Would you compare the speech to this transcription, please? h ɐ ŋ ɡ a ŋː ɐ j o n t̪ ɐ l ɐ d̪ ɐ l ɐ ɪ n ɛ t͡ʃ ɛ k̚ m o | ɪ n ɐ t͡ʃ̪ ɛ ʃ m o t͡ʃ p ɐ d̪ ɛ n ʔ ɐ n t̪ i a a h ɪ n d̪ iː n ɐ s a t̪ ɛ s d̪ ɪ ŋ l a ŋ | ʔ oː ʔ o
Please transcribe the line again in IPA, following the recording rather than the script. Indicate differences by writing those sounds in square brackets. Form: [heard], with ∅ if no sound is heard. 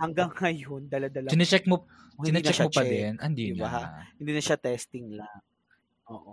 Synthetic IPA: h ɐ ŋ ɡ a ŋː ɐ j o n [d̪] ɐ l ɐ d̪ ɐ l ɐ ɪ n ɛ t͡ʃ ɛ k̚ m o | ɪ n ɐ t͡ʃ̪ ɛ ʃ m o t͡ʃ p ɐ d̪ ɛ n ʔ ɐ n [d̪] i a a h ɪ n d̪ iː n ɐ [ʃ] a t̪ ɛ s [t̪] ɪ ŋ l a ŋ | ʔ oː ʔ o